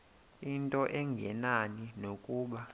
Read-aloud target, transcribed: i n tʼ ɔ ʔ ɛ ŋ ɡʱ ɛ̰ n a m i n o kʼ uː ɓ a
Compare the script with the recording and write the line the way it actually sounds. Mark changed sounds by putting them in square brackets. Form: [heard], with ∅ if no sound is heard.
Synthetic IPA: i n tʼ ɔ ʔ ɛ ŋ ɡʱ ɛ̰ n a [n] i n o kʼ uː ɓ a